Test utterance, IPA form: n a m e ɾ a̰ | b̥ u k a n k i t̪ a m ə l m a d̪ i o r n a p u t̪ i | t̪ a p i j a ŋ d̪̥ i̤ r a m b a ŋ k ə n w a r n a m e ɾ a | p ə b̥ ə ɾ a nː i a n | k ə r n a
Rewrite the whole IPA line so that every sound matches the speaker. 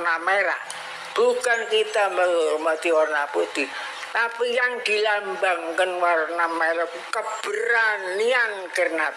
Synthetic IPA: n a m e ɾ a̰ | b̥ u k a n k i t̪ a m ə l m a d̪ i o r n a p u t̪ i | t̪ a p i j a ŋ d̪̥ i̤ l a m b a ŋ k ə n w a r n a m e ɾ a | k ə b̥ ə ɾ a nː i a n | k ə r n a